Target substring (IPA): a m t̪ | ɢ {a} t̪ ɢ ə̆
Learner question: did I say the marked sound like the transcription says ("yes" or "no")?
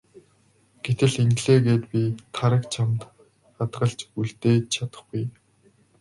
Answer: yes